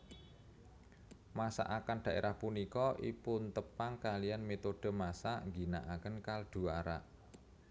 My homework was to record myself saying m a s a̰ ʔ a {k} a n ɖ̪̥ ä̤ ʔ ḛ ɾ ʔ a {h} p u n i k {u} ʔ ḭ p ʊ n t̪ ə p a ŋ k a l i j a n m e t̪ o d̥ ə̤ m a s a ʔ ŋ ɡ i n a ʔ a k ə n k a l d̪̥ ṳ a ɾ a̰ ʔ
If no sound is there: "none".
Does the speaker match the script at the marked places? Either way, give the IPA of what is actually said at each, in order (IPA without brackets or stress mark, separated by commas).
k, h, ɔ